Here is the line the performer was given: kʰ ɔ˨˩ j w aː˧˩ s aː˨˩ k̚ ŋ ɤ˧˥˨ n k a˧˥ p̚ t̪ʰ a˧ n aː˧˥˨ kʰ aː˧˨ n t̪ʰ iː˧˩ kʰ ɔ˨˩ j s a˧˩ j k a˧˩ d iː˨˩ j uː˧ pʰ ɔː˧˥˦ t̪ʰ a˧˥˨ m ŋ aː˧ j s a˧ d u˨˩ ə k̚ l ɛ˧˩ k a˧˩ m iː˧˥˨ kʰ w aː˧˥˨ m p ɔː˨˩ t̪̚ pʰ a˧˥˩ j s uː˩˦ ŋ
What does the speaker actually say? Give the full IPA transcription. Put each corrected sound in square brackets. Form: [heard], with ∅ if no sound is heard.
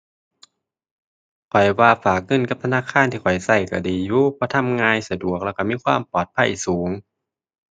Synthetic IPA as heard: kʰ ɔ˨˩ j w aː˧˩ [f] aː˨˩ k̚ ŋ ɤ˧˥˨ n k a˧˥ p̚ t̪ʰ a˧ n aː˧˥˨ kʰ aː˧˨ n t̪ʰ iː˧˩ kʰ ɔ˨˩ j s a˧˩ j k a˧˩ d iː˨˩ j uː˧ pʰ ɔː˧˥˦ t̪ʰ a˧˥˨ m ŋ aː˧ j s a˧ d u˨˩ ə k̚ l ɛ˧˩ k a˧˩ m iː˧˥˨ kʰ w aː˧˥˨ m p ɔː˨˩ t̪̚ pʰ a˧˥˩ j s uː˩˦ ŋ